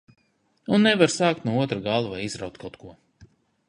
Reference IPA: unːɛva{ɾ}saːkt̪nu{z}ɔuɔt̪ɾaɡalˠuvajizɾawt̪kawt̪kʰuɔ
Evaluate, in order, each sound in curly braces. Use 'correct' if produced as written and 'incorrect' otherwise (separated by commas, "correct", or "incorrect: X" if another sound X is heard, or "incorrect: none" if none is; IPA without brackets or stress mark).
correct, incorrect: none